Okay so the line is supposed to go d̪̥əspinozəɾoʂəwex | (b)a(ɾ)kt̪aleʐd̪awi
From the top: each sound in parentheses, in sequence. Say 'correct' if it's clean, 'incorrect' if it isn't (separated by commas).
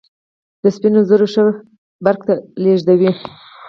correct, correct